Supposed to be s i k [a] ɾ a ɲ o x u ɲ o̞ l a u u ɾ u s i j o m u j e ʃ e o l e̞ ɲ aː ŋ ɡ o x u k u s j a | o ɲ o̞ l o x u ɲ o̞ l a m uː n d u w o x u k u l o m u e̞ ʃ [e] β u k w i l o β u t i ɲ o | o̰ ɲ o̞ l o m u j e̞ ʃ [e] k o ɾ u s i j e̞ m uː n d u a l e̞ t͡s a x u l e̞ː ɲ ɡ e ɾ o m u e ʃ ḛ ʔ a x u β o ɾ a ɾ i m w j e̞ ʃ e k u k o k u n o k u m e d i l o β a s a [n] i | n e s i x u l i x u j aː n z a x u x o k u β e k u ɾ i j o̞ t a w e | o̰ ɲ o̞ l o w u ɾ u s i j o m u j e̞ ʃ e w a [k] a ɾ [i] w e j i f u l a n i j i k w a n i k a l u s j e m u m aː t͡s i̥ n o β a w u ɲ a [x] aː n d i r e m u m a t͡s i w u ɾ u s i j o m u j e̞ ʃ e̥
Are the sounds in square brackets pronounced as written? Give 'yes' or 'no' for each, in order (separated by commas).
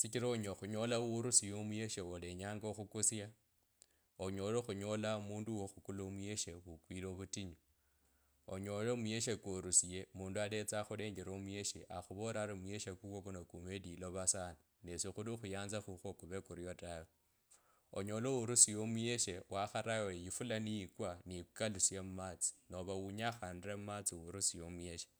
no, yes, yes, yes, no, no, yes